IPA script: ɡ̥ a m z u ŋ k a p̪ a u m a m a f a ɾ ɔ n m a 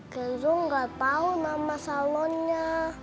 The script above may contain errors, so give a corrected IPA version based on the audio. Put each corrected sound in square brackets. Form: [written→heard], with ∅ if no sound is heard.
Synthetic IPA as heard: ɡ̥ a [m→n] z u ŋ [k→ɡ] a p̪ a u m a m a [f→s] a [ɾ→l] ɔ n [m→ɲ] a